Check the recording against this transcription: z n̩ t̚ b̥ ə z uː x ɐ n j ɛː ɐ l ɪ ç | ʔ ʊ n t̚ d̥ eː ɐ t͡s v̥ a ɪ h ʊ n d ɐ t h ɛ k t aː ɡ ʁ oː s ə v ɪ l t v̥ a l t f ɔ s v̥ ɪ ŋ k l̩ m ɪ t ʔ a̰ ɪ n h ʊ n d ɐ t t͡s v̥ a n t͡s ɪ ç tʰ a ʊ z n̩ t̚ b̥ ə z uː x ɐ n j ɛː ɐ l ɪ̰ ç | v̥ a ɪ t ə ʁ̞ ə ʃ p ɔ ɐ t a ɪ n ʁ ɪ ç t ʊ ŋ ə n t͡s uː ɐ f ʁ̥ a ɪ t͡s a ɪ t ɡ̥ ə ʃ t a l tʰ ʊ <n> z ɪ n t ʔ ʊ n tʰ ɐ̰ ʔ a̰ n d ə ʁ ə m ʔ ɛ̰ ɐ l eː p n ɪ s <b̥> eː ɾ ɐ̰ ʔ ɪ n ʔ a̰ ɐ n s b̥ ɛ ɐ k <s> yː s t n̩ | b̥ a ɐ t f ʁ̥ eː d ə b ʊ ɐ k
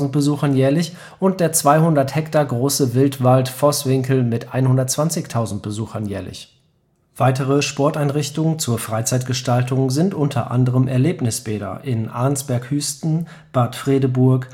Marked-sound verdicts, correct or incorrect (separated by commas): incorrect, correct, incorrect